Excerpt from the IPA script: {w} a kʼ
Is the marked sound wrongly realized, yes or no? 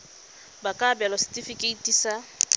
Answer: yes